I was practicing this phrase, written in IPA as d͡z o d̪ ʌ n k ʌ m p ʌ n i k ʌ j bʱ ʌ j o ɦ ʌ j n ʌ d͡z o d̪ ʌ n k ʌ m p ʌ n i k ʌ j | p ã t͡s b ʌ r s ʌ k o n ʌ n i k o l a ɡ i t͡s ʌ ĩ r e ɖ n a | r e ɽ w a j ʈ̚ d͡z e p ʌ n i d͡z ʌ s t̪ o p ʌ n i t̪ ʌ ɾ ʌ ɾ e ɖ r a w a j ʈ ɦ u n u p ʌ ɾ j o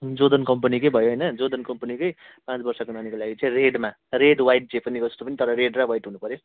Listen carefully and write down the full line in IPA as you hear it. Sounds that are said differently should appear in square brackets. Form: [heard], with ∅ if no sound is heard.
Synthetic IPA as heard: d͡z o d̪ ʌ n k ʌ m p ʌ n i k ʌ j bʱ ʌ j o ɦ ʌ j n ʌ d͡z o d̪ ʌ n k ʌ m p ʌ n i k ʌ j | p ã t͡s b ʌ r s ʌ k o n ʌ n i k o l a ɡ i t͡s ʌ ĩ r e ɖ [m] a | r e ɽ w a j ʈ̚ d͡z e p ʌ n i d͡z ʌ s t̪ o p ʌ n i t̪ ʌ ɾ ʌ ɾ e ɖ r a w a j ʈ ɦ u n u p ʌ ɾ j o

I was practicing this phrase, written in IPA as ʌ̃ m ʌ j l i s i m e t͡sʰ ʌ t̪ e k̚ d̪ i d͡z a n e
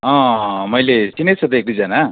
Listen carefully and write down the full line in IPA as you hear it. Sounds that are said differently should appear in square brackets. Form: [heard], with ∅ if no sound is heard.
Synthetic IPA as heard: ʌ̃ m ʌ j l [e] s i [n] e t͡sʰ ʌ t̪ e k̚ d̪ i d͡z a n [a]

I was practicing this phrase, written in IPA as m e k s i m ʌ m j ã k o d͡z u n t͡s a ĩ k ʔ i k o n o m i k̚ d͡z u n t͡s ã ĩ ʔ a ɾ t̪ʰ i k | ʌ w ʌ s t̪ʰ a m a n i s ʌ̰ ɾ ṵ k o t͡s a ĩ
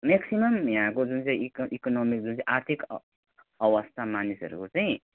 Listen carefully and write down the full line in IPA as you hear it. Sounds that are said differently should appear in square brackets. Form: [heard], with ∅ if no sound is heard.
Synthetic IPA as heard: m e k s i m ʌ m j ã k o d͡z u n t͡s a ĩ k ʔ i k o n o m i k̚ d͡z u n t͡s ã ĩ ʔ a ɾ t̪ʰ i k | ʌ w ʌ s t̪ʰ a m a n i s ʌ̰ ɾ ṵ k o t͡s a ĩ

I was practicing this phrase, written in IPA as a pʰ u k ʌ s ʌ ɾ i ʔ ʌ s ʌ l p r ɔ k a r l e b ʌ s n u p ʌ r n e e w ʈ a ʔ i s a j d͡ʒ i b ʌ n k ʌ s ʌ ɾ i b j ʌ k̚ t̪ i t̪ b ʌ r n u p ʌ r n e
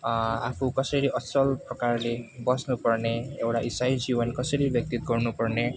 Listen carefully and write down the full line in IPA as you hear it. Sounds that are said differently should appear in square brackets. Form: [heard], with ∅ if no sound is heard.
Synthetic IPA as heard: a pʰ u k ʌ s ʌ ɾ i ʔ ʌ s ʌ l p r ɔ k a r l e b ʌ s n u p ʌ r n e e w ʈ a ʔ i s a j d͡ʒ i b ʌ n k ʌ s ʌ ɾ i b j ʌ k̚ t̪ i t̪ [ɡ] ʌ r n u p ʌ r n e

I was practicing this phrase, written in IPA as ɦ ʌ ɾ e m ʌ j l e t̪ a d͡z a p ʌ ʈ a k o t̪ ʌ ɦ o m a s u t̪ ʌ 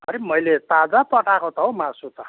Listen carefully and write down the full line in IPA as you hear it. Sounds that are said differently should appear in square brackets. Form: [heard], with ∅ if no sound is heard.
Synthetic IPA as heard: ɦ ʌ ɾ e m ʌ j l e t̪ a d͡z a p ʌ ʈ a k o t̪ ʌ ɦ o m a s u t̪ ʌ

